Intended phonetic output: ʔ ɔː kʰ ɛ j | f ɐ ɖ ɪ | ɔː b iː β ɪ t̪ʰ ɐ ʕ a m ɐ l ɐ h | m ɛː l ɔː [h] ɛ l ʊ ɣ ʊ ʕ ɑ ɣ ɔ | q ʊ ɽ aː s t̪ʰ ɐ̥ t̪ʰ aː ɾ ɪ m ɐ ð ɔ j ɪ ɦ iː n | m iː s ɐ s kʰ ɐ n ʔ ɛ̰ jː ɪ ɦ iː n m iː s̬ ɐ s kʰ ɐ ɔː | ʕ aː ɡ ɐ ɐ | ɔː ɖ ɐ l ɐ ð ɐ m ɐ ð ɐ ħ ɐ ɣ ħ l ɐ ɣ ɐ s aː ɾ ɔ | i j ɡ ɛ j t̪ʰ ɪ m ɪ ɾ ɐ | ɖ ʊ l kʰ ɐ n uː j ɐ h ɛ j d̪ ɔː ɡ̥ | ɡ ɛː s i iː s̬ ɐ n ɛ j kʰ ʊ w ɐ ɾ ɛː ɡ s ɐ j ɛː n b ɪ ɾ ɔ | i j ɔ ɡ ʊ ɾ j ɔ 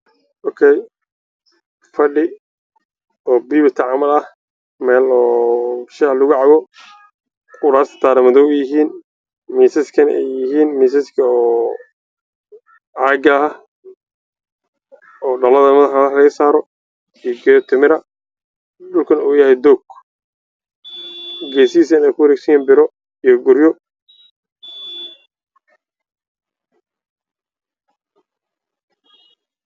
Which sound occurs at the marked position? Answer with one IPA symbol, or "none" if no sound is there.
ʃ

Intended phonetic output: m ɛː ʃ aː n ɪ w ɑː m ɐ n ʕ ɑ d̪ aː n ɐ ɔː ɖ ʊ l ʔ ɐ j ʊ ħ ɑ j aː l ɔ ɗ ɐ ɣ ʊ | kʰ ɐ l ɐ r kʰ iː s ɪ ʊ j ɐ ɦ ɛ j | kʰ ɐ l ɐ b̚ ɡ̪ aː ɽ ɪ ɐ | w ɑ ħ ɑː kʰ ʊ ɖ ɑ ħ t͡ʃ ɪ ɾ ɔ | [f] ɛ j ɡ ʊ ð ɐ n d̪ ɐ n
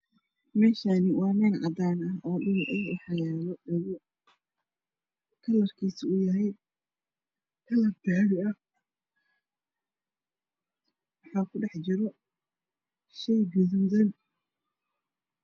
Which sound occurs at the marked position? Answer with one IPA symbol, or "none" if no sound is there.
ʃ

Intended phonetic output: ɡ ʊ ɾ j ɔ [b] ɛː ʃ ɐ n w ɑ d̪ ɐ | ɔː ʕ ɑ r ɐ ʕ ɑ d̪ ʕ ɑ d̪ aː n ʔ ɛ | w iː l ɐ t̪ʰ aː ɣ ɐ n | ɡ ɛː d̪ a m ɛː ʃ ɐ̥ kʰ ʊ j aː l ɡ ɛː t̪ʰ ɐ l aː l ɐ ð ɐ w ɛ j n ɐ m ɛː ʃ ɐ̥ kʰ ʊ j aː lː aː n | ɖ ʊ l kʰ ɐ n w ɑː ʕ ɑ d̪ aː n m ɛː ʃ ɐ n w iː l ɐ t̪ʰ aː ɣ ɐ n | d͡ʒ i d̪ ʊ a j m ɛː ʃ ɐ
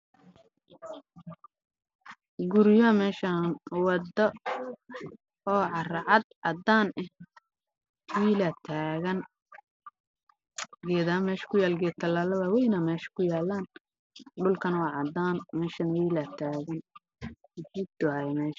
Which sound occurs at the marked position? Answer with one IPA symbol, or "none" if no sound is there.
m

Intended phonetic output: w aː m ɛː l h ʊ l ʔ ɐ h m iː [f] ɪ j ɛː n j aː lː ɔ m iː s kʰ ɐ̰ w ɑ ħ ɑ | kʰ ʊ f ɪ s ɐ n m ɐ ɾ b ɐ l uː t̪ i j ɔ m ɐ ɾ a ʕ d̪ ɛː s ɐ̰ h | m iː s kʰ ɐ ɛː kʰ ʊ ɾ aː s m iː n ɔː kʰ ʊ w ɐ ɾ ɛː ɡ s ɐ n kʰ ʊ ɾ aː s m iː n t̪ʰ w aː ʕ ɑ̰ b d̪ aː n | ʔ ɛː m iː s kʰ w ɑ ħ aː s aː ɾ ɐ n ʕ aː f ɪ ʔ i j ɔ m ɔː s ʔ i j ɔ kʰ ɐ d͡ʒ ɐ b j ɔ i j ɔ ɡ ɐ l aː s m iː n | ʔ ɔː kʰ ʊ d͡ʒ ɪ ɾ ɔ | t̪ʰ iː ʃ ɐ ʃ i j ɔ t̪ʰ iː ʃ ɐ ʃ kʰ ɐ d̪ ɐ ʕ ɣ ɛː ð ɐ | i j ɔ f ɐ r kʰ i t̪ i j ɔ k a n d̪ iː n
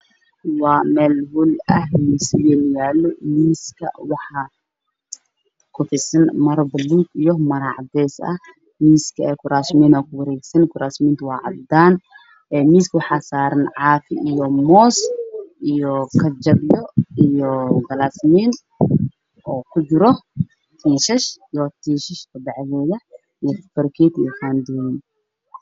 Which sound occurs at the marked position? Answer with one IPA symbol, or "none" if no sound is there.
s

